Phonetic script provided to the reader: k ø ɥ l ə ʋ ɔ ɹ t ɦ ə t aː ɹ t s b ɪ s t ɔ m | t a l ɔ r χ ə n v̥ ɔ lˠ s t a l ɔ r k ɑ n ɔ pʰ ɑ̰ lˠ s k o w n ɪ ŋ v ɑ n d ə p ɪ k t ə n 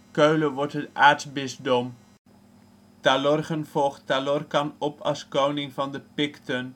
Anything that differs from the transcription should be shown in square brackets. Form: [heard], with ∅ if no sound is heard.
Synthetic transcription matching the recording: k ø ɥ l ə ʋ ɔ ɹ t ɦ ə t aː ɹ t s b ɪ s [d] ɔ m | t a l ɔ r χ ə n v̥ ɔ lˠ [χ] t a l ɔ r k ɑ n ɔ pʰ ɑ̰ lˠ s k o w n ɪ ŋ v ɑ n d ə p ɪ k t ə n